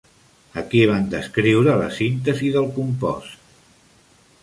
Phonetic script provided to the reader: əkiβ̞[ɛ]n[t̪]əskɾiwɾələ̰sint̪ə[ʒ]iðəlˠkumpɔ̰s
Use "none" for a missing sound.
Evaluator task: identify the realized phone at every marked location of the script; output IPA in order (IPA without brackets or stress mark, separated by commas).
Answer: a, d̪, z